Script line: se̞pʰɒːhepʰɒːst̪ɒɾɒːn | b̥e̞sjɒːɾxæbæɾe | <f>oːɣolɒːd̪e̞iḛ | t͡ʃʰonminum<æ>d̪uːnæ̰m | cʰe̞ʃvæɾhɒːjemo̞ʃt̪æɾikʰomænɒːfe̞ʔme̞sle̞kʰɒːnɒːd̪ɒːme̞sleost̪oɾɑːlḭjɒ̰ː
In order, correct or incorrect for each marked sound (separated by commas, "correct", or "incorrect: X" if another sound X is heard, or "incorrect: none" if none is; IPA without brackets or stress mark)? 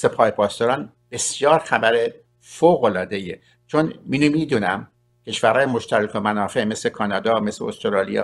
correct, incorrect: i